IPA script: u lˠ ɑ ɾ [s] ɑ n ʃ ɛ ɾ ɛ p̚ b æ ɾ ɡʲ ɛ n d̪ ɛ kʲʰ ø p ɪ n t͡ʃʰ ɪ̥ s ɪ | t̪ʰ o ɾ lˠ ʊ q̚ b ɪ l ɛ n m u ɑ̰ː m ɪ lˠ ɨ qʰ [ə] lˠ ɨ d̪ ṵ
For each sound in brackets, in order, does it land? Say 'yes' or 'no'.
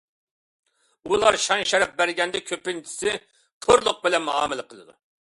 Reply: no, yes

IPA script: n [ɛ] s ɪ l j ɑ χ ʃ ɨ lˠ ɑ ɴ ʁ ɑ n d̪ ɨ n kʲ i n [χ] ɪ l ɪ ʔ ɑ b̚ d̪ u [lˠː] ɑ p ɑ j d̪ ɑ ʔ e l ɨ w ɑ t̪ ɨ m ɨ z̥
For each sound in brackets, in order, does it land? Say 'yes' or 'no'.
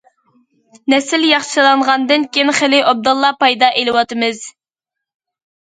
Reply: yes, yes, yes

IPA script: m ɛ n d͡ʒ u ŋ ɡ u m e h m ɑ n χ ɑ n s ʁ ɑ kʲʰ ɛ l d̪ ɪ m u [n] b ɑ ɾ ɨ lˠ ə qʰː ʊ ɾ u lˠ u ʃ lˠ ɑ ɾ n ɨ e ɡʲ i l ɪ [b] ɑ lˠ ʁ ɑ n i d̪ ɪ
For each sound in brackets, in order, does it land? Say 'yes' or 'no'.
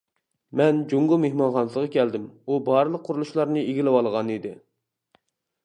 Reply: no, no

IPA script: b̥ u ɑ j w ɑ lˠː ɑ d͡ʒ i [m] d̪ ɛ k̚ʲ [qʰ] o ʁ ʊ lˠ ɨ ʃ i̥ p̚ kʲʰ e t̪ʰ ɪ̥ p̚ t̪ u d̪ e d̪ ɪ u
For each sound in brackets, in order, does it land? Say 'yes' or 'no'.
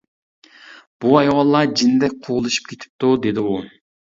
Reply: no, yes

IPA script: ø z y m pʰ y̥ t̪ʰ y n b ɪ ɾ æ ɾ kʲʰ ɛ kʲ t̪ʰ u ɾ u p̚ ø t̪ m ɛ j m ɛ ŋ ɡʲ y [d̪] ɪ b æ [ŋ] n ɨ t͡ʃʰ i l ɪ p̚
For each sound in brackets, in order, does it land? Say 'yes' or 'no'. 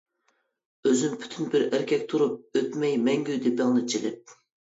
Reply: yes, yes

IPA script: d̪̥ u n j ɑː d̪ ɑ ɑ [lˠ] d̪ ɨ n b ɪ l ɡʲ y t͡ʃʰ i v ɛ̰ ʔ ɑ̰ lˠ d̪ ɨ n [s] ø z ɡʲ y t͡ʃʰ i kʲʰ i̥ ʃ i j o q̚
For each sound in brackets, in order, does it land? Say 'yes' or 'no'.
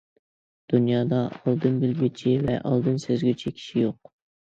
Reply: yes, yes

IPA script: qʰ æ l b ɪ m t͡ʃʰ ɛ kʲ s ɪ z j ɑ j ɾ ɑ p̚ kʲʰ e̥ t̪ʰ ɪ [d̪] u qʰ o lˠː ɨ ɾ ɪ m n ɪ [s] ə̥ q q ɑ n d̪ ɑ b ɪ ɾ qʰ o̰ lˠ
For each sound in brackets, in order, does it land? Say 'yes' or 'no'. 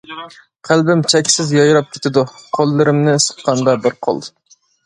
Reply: yes, yes

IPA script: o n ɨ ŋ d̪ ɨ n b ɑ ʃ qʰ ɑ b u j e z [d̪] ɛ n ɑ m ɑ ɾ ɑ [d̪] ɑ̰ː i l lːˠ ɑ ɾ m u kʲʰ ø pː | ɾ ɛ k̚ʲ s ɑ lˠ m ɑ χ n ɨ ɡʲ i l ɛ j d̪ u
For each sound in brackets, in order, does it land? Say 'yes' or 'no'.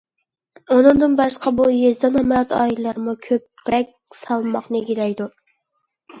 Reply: yes, no

